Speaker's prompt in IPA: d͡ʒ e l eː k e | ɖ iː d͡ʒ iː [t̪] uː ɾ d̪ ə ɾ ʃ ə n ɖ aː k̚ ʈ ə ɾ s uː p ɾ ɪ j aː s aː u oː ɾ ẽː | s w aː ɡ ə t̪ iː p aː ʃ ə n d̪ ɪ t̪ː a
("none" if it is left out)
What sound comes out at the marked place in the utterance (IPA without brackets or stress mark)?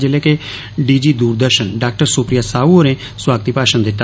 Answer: d̪